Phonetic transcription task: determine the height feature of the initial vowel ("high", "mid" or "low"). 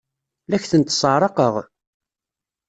low